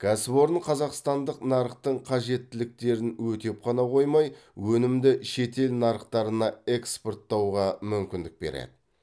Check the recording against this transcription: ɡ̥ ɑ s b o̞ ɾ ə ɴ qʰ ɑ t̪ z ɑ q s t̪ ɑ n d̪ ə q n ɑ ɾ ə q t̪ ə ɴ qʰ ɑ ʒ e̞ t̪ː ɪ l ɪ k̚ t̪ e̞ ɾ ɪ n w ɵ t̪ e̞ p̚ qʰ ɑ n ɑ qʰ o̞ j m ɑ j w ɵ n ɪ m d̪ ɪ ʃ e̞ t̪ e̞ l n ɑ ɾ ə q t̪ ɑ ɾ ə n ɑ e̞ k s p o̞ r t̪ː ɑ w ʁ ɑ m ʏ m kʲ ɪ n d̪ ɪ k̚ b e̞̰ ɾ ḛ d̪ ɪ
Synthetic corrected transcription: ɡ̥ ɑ s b o̞ ɾ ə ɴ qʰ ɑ z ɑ q s t̪ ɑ n d̪ ə q n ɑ ɾ ə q t̪ ə ɴ qʰ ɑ ʒ e̞ t̪ː ɪ l ɪ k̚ t̪ e̞ ɾ ɪ n w ɵ t̪ e̞ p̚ qʰ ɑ n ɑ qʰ o̞ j m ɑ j w ɵ n ɪ m d̪ ɪ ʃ e̞ t̪ e̞ l n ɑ ɾ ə q t̪ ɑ ɾ ə n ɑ e̞ k s p o̞ r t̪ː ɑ w ʁ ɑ m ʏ m kʲ ɪ n d̪ ɪ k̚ b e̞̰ ɾ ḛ d̪ ɪ